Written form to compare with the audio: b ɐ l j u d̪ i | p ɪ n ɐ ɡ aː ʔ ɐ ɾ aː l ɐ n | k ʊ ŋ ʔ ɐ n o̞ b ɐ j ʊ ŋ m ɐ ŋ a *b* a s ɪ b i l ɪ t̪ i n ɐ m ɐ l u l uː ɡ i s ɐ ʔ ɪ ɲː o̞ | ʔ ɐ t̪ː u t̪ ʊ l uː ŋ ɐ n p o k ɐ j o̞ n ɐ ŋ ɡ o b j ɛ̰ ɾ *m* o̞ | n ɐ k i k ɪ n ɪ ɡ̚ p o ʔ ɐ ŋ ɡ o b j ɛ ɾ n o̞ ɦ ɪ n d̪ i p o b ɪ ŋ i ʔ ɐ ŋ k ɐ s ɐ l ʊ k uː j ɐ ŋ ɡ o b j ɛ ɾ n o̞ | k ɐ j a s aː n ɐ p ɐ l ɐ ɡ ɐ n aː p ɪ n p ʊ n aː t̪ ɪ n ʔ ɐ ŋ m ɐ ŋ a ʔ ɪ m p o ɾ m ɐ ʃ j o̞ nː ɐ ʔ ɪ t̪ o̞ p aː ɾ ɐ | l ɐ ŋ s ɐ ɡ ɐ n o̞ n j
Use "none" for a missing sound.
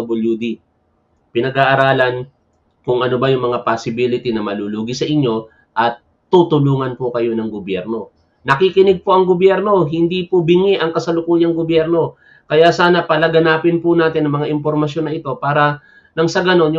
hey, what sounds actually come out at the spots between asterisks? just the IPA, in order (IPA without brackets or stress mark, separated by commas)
p, n